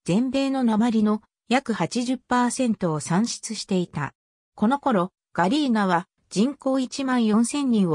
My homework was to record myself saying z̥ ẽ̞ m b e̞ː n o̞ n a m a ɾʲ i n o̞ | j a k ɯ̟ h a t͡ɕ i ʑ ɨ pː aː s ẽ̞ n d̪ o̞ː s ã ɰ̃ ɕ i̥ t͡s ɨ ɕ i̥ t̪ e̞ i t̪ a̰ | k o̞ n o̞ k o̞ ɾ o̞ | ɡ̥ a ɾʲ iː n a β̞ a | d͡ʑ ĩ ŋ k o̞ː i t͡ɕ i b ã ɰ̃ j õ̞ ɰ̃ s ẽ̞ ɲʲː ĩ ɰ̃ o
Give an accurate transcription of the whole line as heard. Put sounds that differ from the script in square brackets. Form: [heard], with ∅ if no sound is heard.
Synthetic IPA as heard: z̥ ẽ̞ m b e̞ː n o̞ n a m a ɾʲ i n o̞ | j a k ɯ̟ h a t͡ɕ i ʑ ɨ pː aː s ẽ̞ n [t̪] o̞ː s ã ɰ̃ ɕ i̥ t͡s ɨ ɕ i̥ t̪ e̞ i t̪ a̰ | k o̞ n o̞ k o̞ ɾ o̞ | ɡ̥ a ɾʲ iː n a β̞ a | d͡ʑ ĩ ŋ k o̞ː i t͡ɕ i [m] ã ɰ̃ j õ̞ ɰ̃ s ẽ̞ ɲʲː ĩ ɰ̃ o